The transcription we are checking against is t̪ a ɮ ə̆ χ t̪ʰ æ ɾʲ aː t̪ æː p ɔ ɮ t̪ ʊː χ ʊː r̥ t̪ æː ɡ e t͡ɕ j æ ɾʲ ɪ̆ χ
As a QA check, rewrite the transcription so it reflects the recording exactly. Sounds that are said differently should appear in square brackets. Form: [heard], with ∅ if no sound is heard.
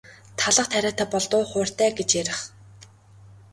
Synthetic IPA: [t̪ʰ] a ɮ ə̆ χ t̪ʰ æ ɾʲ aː t̪ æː p ɔ ɮ t̪ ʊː χ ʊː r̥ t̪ æː ɡ e t͡ɕ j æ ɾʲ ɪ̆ χ

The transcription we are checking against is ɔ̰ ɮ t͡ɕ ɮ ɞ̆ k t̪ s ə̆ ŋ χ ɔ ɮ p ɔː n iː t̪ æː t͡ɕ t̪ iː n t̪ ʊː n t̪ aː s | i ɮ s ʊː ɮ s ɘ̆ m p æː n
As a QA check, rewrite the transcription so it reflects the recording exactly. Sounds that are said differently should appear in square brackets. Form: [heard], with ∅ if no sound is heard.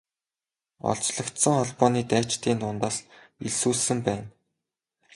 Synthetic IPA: ɔ̰ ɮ t͡ɕ ɮ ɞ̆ k t̪ s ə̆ ŋ χ ɔ ɮ p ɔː n iː t̪ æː t͡ɕ t̪ iː n t̪ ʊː n t̪ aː s | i ɮ s [uː] ɮ s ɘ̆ m p æː n

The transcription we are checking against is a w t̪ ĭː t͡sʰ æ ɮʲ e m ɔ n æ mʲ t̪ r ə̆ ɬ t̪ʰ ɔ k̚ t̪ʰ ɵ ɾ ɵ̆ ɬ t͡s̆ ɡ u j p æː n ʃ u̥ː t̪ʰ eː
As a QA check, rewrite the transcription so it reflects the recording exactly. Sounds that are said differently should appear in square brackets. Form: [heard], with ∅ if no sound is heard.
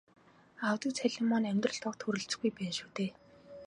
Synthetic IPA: a w t̪ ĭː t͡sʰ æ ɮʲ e m ɔ n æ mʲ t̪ r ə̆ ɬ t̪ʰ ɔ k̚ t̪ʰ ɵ ɾ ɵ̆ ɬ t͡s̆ ɡ u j p æː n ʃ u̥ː [t̪] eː

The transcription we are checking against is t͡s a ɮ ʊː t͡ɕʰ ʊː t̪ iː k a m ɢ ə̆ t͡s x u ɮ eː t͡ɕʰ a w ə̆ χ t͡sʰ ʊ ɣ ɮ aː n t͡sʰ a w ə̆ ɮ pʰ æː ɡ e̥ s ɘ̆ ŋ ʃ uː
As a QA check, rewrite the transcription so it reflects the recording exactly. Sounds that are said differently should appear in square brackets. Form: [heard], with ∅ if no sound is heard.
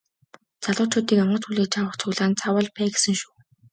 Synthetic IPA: t͡s a ɮ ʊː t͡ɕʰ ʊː t̪ iː k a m ɢ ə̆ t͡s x u ɮ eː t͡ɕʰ a w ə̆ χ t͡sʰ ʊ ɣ ɮ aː n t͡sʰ a w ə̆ ɮ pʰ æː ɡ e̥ s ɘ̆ ŋ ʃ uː

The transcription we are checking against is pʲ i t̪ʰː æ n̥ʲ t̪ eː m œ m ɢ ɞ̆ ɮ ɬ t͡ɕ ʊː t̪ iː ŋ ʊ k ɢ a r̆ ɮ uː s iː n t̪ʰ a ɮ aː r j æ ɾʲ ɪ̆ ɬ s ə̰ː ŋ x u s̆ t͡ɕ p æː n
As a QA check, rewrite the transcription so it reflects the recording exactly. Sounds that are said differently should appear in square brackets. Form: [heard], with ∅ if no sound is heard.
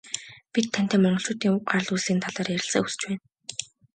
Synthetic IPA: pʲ i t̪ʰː æ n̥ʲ t̪ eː m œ [ɴ] ɢ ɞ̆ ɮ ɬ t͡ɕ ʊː t̪ iː ŋ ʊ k ɢ a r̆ ɮ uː s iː n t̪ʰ a ɮ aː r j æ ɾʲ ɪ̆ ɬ s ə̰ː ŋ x u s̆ t͡ɕ p æː n

